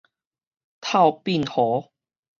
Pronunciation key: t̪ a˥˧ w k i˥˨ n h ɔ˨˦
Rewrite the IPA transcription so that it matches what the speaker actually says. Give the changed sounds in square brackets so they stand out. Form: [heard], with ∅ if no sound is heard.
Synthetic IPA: [t̪ʰ] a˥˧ w [p] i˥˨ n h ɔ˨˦